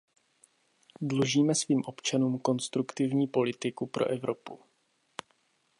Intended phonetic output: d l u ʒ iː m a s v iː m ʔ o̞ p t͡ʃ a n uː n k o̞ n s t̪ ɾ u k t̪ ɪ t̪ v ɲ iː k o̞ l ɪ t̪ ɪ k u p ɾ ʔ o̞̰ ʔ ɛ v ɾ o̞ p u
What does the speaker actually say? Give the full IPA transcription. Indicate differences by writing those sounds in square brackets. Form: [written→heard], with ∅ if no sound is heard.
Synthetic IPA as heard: d l u ʒ iː m [a→ɛ] s v iː m ʔ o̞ p t͡ʃ a n uː [n→m] k o̞ n s t̪ ɾ u k t̪ ɪ [t̪→∅] v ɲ iː [k→p] o̞ l ɪ t̪ ɪ k u p ɾ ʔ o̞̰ ʔ ɛ v ɾ o̞ p u